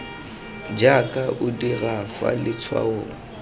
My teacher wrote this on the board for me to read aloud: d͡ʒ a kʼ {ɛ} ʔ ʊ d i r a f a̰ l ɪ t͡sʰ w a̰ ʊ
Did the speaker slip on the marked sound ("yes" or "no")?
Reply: yes